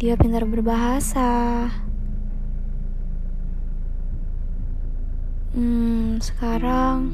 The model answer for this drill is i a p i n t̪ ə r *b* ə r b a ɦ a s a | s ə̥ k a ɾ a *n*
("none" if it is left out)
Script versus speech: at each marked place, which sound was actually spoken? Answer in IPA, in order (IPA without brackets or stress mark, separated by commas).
b, ŋ